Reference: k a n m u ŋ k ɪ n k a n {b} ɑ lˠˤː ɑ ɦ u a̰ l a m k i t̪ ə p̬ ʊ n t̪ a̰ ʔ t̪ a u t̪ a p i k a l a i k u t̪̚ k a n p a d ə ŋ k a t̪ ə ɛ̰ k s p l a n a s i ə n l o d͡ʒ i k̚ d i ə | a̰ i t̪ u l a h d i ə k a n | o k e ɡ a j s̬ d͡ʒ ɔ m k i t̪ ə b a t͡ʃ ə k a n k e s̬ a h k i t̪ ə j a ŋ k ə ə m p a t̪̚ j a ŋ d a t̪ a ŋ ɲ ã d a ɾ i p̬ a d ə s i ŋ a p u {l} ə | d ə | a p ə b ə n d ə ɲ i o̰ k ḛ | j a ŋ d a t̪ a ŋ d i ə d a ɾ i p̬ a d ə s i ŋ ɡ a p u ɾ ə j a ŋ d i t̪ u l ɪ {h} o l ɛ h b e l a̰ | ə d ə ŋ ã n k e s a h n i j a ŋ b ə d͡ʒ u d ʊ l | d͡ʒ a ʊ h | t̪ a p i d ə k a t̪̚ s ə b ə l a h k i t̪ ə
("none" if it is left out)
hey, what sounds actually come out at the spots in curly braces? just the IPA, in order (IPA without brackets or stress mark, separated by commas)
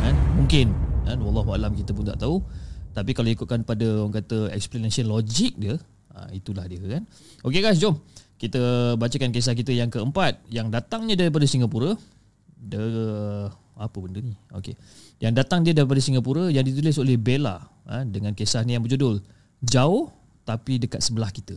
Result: w, ɾ, s